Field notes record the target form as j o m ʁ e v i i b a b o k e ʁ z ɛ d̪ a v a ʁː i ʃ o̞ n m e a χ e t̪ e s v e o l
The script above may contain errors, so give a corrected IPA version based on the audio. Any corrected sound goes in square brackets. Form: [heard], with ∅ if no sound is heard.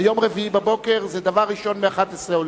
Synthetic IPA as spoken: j o m ʁ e v i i b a b o k e ʁ z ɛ d̪ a v a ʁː i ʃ o̞ n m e a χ [a] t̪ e s [ʁ] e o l